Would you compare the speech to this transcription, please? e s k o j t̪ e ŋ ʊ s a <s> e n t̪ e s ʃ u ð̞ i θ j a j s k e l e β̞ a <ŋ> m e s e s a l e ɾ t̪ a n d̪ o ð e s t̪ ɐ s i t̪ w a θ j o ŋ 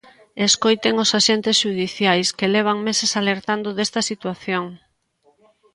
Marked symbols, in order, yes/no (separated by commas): no, yes